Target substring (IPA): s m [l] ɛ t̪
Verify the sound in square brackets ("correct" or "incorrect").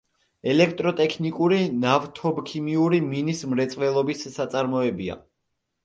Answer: incorrect